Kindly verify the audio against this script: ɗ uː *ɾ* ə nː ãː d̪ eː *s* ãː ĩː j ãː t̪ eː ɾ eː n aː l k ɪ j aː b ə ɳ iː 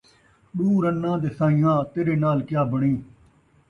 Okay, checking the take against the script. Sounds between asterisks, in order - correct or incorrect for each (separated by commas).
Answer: correct, correct